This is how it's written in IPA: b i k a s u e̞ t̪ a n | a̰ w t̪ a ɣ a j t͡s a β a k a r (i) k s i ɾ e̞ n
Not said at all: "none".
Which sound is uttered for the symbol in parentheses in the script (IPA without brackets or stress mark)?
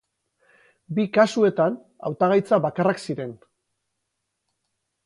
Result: a